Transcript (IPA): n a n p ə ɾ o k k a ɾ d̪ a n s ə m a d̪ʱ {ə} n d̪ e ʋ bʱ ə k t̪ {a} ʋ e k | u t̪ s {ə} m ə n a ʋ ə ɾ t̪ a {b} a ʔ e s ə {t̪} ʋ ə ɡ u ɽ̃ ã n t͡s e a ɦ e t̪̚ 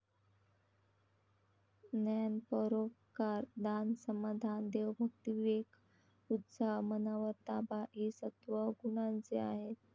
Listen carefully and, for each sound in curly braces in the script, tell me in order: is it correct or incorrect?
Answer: incorrect: a, incorrect: i, incorrect: a, correct, correct

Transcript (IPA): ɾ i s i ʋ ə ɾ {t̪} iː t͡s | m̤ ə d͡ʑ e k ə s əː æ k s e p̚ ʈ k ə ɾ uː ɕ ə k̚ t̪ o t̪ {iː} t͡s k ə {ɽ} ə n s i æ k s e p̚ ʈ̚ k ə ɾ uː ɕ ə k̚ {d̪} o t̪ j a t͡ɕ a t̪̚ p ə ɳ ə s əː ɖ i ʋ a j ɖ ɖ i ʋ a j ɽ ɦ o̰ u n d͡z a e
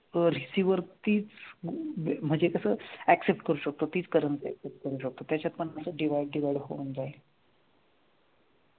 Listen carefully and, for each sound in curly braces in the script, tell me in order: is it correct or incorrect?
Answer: correct, correct, incorrect: ɾ, incorrect: t̪

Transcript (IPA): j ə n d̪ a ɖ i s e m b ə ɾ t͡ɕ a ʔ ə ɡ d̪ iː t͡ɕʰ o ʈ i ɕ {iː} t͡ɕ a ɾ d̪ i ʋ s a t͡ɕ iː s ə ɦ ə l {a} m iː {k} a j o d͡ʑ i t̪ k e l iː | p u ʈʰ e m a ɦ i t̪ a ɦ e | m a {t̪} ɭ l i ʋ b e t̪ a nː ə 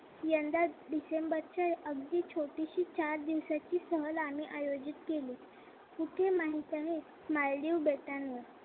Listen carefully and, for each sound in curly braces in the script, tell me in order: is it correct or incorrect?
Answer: correct, correct, incorrect: ʔ, incorrect: none

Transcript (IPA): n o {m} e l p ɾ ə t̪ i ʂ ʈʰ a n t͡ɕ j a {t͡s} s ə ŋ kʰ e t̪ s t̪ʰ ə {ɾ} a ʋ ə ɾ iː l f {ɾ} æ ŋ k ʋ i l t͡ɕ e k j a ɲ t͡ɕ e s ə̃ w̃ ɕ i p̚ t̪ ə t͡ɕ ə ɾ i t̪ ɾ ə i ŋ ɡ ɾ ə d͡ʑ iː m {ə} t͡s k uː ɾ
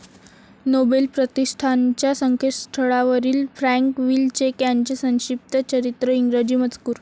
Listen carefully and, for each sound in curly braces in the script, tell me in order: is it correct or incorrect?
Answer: incorrect: b, incorrect: none, incorrect: ɭ, correct, correct

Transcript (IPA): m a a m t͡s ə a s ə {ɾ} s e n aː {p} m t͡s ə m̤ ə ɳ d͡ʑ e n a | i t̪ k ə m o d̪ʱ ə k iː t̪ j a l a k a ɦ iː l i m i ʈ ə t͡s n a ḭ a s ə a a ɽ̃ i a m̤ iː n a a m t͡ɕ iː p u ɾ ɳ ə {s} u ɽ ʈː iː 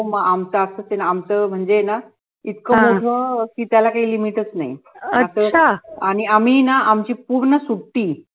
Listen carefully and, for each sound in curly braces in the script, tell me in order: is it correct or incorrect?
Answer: incorrect: none, incorrect: none, correct

